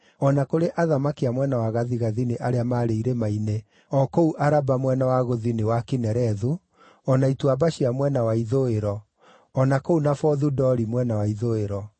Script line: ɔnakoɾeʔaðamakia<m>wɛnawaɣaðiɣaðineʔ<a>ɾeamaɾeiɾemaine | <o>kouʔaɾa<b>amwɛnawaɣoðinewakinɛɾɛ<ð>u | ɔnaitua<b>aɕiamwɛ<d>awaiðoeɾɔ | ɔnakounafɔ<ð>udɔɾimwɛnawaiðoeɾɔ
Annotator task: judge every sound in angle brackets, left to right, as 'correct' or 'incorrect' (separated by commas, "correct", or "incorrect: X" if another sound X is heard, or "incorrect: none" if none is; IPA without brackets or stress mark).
correct, correct, incorrect: ɔ, correct, correct, correct, incorrect: n, correct